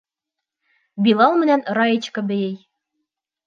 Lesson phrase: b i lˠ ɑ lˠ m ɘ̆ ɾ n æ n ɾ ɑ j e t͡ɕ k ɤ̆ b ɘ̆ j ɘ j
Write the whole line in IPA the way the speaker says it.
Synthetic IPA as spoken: b i lˠ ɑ lˠ m ɘ̆ n æ n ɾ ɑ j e t͡ɕ k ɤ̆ b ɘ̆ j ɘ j